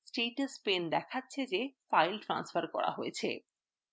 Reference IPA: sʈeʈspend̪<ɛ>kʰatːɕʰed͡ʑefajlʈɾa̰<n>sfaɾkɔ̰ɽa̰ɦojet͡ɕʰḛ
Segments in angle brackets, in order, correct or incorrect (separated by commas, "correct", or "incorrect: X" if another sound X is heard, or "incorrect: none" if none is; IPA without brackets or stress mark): correct, correct